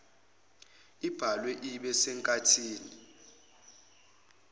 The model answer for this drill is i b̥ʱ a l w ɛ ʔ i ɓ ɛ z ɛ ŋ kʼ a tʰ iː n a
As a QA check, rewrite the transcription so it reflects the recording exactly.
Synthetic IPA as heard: i b̥ʱ a l w ɛ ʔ i ɓ ɛ s ɛ ŋ kʼ a tʰ iː n i